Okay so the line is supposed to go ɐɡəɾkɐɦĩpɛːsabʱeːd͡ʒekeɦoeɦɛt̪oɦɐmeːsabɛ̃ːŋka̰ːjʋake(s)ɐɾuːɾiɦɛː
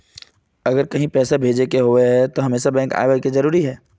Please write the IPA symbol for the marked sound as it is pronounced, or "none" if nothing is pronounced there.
z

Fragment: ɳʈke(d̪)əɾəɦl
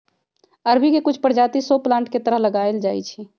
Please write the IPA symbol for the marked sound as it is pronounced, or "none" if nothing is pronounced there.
t̪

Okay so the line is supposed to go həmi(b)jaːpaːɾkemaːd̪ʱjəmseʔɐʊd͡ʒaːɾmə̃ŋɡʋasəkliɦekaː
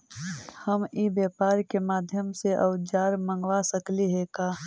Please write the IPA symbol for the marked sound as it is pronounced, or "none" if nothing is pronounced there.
b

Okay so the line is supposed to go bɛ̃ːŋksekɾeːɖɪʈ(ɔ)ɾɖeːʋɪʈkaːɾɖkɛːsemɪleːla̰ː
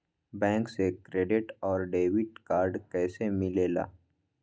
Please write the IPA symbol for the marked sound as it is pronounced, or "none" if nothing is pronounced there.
ɔː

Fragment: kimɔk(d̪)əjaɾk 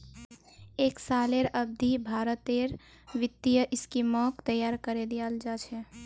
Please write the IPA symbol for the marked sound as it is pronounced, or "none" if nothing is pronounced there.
t̪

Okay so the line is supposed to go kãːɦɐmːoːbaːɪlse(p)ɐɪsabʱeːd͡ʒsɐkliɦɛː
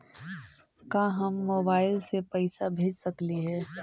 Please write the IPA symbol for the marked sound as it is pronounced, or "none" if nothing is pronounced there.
p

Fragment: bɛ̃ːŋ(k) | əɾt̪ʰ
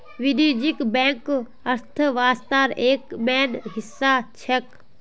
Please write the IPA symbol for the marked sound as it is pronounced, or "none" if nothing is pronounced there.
k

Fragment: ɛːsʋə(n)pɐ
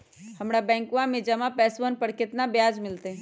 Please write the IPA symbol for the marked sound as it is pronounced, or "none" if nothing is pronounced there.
n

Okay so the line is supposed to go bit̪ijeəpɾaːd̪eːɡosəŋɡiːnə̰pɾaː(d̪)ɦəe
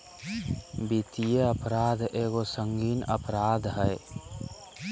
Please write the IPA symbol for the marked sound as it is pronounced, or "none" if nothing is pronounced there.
d̪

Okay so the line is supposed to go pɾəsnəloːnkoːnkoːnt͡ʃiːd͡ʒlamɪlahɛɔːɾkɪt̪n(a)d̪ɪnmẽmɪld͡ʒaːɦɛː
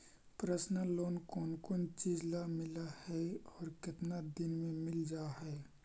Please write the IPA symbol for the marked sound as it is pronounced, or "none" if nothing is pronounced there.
a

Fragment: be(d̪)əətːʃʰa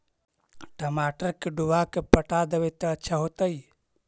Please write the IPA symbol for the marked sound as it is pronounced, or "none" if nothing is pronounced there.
t̪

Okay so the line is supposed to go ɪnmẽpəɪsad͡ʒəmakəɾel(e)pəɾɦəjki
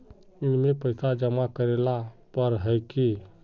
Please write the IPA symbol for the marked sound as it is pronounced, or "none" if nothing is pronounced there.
a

